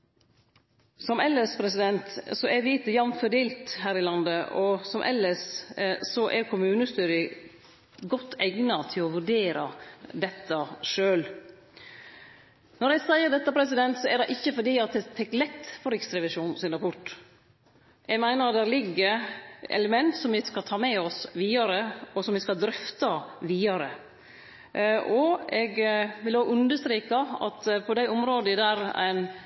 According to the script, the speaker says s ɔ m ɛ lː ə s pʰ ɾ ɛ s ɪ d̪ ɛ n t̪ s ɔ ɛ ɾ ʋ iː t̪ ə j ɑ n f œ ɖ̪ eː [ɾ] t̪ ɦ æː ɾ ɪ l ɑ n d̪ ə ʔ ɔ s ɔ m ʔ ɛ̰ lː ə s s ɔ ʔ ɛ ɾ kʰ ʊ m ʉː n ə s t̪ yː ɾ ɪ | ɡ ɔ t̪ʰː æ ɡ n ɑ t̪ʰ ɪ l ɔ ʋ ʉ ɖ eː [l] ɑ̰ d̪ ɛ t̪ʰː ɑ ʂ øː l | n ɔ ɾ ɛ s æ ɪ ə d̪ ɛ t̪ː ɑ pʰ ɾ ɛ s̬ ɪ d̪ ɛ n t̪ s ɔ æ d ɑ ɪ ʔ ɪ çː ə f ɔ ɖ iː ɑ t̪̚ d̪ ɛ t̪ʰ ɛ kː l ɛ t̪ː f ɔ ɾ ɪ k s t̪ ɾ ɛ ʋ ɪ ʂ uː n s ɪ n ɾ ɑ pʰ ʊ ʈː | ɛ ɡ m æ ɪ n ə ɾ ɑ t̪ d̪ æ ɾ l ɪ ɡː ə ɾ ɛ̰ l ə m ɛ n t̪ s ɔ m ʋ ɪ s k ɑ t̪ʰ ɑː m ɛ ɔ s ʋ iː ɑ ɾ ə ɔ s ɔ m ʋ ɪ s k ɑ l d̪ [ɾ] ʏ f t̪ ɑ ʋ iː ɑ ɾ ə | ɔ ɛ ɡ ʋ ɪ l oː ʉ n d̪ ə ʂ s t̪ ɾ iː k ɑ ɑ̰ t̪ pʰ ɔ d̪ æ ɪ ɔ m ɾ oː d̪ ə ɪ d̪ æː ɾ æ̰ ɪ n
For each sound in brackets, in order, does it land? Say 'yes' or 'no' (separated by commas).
no, no, yes